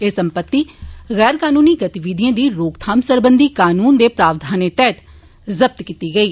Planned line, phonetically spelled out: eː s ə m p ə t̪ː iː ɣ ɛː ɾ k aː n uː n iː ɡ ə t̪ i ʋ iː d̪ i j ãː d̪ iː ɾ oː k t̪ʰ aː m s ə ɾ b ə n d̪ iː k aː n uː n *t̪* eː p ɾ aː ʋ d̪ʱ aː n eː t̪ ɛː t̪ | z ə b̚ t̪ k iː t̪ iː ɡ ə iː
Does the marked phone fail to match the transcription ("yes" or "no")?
yes